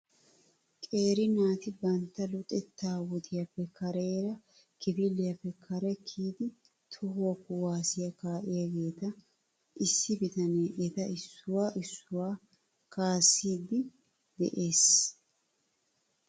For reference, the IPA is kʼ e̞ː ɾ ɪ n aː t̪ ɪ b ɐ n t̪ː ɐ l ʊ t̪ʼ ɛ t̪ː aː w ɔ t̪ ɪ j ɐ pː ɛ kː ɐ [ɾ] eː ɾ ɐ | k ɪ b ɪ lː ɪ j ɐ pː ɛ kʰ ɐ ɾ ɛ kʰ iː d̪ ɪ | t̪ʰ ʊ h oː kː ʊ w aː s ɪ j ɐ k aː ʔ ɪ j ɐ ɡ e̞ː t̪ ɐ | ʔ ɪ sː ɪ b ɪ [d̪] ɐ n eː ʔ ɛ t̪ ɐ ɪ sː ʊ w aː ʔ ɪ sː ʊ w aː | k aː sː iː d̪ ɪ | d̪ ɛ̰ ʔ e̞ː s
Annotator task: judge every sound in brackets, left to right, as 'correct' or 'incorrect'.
correct, incorrect

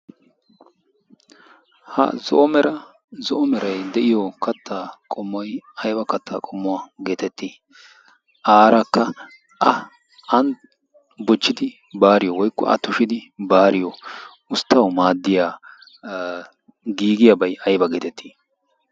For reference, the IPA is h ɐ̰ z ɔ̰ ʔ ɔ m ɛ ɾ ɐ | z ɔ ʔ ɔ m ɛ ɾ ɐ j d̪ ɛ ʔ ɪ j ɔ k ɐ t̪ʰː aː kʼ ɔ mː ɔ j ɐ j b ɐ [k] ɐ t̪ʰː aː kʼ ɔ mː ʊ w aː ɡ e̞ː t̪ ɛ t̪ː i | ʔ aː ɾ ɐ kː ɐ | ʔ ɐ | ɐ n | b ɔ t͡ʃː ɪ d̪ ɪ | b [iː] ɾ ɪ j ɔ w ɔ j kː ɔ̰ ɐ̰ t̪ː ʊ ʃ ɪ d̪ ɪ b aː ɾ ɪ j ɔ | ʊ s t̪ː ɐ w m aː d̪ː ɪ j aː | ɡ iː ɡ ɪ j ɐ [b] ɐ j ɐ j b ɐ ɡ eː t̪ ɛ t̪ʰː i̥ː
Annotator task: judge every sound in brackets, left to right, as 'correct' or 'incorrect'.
correct, incorrect, correct

